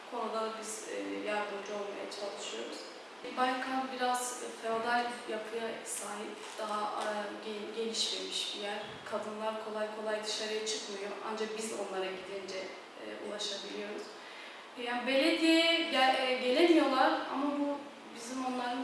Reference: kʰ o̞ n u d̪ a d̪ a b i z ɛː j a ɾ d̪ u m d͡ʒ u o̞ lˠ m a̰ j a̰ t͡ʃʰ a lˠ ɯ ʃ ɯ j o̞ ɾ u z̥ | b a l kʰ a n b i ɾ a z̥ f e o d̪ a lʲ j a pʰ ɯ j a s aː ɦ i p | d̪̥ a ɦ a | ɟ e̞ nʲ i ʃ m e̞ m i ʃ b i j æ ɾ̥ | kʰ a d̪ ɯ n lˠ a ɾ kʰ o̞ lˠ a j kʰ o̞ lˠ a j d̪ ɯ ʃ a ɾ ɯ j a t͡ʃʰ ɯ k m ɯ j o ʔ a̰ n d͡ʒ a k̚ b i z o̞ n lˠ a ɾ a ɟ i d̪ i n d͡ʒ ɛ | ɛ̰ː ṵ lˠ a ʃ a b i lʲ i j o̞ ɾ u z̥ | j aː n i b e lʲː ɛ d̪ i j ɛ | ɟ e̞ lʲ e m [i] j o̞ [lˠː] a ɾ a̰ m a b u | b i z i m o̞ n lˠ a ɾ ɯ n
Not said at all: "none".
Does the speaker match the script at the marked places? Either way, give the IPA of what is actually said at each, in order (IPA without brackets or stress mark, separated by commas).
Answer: i, lˠ